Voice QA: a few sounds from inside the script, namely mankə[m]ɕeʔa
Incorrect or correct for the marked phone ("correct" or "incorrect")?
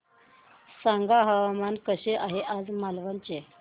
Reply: incorrect